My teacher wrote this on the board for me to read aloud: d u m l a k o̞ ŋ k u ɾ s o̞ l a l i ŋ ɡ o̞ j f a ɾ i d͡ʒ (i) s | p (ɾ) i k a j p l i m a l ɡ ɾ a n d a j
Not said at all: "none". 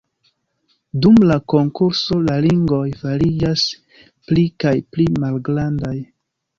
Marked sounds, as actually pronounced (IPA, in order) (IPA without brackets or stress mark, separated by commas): a, l